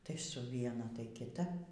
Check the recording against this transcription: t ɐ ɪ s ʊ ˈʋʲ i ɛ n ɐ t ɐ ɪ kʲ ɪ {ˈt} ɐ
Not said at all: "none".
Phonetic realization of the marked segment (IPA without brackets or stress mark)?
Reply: t